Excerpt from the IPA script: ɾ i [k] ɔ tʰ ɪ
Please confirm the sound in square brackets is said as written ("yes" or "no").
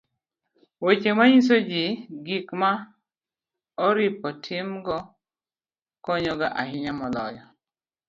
no